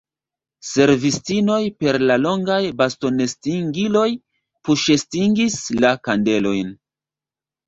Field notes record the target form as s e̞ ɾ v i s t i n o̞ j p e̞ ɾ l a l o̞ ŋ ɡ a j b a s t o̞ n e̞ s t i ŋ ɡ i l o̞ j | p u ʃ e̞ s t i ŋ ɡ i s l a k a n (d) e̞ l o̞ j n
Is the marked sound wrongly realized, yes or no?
no